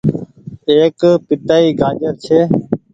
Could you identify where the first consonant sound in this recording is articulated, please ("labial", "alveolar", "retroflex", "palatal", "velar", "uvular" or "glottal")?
velar